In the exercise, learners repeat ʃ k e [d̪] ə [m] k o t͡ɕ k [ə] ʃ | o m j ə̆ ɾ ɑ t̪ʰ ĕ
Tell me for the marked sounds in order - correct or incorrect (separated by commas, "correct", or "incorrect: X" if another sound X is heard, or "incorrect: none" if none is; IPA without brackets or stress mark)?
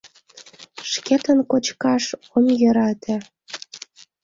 incorrect: t̪, incorrect: n, incorrect: ɑ